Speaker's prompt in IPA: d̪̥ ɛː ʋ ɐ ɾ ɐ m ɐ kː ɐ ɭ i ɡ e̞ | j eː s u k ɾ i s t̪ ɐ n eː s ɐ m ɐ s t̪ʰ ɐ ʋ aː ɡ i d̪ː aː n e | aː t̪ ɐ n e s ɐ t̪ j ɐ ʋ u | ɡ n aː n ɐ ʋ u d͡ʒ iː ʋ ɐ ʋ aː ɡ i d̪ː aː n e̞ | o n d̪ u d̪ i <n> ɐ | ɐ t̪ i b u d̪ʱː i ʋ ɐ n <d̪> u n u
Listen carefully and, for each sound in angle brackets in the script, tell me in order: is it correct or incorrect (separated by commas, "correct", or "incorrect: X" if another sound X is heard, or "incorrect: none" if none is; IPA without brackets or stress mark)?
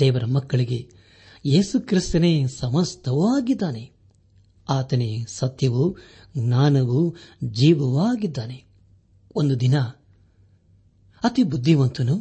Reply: correct, incorrect: t̪